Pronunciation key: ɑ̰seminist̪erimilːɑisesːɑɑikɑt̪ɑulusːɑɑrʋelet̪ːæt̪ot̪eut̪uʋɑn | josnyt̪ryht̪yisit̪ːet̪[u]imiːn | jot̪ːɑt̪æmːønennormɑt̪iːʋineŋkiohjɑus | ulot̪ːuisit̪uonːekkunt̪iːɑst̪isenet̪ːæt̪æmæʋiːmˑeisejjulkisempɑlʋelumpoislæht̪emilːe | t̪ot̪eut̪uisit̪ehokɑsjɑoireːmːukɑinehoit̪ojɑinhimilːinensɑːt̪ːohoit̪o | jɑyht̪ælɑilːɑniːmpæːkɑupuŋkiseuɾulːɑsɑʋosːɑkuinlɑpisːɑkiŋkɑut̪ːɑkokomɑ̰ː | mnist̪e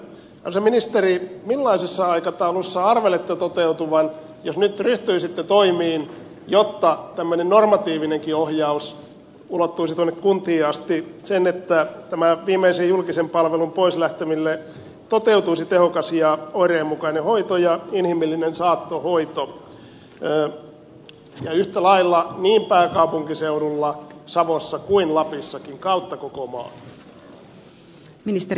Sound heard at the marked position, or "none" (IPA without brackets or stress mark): o